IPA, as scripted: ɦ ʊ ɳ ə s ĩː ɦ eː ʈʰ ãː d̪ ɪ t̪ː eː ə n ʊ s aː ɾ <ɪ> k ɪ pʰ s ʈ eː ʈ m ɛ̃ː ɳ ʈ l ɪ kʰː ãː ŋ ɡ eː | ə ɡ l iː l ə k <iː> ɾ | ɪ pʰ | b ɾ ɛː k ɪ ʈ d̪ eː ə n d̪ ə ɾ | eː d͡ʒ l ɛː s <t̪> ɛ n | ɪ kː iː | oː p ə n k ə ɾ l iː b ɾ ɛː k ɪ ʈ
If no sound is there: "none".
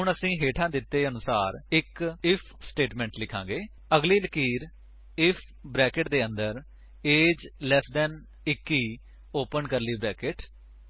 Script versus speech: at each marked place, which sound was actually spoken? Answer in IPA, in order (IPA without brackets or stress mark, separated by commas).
ɪ, iː, d̪